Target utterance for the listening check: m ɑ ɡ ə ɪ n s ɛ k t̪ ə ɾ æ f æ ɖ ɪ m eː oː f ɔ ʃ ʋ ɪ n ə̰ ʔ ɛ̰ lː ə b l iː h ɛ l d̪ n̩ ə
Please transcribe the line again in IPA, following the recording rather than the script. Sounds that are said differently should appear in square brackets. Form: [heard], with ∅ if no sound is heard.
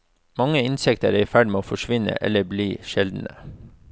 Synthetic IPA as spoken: m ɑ [ŋ] ə ɪ n s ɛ k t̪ ə ɾ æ f æ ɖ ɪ m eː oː f ɔ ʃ ʋ ɪ n ə̰ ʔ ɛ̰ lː ə b l iː [ʃ] ɛ l d̪ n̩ ə